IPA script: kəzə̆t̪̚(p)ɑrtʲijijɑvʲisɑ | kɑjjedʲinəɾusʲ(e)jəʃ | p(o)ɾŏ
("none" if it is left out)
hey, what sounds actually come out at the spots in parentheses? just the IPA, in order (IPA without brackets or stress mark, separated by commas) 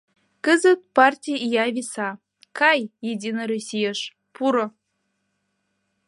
p, i, u